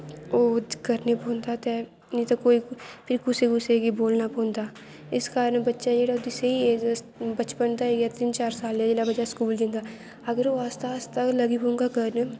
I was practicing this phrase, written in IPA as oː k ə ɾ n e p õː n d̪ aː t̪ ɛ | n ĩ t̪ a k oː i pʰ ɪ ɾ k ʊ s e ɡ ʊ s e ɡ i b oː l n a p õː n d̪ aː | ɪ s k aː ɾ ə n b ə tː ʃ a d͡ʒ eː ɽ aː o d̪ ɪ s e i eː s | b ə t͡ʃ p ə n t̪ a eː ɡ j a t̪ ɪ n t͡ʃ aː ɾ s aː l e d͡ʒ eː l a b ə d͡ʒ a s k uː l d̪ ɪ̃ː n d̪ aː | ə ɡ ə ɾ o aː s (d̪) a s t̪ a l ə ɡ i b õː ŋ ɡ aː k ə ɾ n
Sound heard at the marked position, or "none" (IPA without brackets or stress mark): t̪